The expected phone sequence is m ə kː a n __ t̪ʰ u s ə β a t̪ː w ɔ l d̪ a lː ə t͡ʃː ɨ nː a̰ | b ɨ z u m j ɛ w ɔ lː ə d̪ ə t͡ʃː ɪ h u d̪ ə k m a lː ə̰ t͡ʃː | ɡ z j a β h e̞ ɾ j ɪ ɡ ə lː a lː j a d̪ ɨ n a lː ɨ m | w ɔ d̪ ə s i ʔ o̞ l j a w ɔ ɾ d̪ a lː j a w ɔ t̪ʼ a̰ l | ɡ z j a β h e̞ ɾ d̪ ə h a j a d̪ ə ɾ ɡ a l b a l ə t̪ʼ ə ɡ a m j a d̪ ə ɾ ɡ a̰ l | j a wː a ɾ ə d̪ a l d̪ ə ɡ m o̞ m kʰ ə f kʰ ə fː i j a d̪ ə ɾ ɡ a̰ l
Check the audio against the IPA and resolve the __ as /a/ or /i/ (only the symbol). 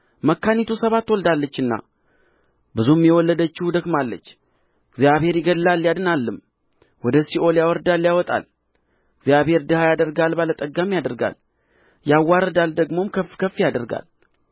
i